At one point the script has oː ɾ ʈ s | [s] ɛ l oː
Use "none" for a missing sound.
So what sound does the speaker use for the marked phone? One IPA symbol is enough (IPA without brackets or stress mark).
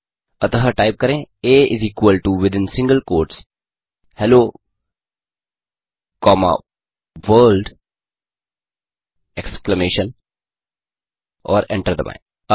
h